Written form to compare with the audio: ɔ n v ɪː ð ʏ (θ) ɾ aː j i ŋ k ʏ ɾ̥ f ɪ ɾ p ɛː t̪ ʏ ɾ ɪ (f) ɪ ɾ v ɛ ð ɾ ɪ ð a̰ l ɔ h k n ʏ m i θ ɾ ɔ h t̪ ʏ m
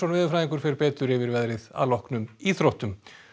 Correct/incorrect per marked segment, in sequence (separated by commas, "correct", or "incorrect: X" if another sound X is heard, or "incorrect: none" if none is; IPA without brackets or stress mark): incorrect: f, incorrect: v